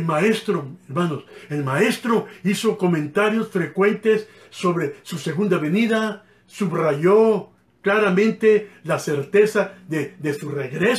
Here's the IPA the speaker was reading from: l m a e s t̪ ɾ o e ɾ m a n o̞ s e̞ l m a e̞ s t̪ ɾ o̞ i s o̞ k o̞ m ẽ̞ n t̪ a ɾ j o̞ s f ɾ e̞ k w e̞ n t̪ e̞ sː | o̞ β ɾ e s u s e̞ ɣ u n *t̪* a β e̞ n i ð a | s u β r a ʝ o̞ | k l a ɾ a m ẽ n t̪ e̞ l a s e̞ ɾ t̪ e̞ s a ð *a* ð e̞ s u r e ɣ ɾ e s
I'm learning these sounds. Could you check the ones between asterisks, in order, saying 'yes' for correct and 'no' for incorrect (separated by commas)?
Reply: no, no